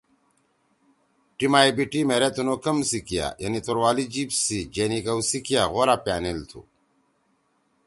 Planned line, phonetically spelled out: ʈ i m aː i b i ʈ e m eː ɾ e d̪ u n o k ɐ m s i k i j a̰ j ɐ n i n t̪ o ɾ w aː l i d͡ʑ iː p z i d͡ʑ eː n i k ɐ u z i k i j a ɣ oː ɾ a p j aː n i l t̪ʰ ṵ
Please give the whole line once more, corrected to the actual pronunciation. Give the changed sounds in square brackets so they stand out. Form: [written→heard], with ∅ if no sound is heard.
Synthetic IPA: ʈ i m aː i b i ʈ [e→i] m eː ɾ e [d̪→t̪] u n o k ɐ m s i k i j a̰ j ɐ n i [n→∅] t̪ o ɾ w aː l i d͡ʑ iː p [z→s] i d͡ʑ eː n i k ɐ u [z→s] i k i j a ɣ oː ɾ a p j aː n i l t̪ʰ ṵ